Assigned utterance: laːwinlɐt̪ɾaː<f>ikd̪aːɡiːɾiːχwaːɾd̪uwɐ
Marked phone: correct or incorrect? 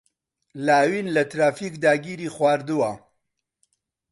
correct